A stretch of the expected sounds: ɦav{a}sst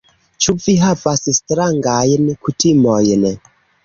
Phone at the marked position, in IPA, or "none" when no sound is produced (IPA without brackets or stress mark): a